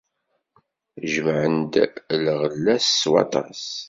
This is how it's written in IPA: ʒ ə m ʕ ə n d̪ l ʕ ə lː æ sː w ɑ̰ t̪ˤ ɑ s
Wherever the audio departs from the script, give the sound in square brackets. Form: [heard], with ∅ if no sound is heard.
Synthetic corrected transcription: ʒ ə m ʕ ə n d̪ l [ʁ] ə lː æ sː w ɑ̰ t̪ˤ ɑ s

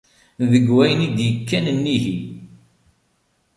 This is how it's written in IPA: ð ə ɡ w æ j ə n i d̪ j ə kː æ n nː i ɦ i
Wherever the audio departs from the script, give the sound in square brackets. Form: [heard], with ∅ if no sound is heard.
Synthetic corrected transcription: ð ə ɡ w æ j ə n i d̪ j ə kː æ n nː i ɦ i

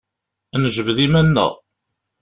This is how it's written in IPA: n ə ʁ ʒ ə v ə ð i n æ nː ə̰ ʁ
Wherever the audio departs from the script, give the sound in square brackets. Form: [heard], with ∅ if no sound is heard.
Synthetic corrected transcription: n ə [∅] ʒ ə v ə ð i [m] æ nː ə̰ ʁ

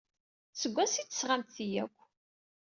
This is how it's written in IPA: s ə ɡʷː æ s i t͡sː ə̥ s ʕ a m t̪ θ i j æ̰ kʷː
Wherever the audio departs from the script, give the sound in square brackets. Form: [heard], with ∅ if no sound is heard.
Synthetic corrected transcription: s ə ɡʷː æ s i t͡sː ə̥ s [ʁ] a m t̪ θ i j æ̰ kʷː

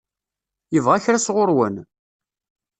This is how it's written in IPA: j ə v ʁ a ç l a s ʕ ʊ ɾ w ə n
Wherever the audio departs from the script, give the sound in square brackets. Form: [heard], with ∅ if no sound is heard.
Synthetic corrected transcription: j ə v ʁ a ç [ɾ] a s [ʁ] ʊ ɾ w ə n

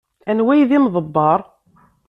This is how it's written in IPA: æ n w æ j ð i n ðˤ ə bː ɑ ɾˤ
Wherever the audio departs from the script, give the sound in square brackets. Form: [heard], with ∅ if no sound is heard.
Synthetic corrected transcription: æ n w æ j ð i [m] ðˤ ə bː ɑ ɾˤ

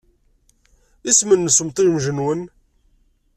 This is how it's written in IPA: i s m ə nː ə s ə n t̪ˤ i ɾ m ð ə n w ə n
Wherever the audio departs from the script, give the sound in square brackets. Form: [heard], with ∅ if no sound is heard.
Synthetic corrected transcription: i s m ə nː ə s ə [m] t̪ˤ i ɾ m [ʒ] ə n w ə n

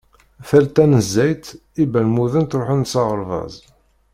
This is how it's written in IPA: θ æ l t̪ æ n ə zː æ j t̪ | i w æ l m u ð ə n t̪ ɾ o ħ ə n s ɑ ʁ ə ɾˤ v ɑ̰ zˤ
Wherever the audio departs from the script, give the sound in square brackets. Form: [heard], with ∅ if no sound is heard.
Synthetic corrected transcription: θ æ l t̪ æ n ə zː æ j t̪ | i [b] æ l m u ð ə n t̪ ɾ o ħ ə n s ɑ ʁ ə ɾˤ v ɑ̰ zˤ

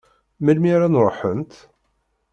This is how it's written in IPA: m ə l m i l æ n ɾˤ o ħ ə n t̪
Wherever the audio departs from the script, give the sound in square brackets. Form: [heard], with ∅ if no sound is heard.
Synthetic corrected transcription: m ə l m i [ɾ] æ n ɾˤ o ħ ə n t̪

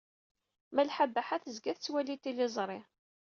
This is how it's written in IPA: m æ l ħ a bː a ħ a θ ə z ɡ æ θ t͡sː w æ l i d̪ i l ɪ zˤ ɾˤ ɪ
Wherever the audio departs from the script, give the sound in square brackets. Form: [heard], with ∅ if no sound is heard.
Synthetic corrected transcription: m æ l ħ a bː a ħ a θ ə z ɡ æ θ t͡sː w æ l i [t̪] i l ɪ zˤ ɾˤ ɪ

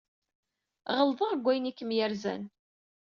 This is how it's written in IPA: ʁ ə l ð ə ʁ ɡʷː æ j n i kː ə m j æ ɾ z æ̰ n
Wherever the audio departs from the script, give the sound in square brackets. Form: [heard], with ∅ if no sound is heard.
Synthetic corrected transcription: ʁ ə l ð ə ʁ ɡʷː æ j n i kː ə m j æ ɾ z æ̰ n

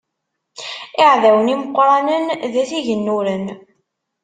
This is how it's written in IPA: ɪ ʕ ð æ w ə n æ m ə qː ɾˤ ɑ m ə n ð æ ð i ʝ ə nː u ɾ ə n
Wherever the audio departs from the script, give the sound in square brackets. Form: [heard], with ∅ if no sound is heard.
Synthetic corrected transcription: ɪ ʕ ð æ w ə n [i] m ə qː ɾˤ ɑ [n] ə n ð æ [θ] i ʝ ə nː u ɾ ə n

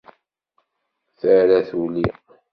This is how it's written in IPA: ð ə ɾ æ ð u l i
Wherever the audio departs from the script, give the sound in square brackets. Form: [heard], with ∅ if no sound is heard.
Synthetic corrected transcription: [θ] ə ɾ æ [θ] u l i

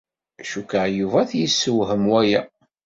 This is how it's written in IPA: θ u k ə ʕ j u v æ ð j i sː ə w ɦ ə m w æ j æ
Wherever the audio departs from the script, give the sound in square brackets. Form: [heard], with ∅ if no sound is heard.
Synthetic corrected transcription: [ʃ] u k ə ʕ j u v æ [θ] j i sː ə w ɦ ə m w æ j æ

